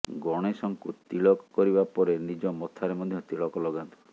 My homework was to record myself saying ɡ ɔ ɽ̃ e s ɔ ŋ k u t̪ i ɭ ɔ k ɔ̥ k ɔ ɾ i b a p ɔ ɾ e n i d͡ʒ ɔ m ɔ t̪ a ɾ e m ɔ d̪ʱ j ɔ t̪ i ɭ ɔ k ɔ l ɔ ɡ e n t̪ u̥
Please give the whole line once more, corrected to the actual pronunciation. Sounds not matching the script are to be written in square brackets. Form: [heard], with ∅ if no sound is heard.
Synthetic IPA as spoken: ɡ ɔ ɽ̃ e s ɔ ŋ k u t̪ i ɭ ɔ k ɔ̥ k ɔ ɾ i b a p ɔ ɾ e n i d͡ʒ ɔ m ɔ [t̪ʰ] a ɾ e m ɔ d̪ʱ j ɔ t̪ i ɭ ɔ k ɔ l ɔ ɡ [a] n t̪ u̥